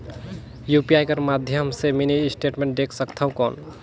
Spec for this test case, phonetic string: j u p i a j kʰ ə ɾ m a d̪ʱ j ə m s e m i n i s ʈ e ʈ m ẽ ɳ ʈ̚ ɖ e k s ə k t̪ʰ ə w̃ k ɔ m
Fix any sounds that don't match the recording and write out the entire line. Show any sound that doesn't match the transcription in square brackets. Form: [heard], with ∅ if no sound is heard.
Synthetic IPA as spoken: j u p i a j [k] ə ɾ m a d̪ʱ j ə m s e m i n i s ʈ e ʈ m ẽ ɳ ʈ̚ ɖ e k s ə k t̪ʰ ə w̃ k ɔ [n]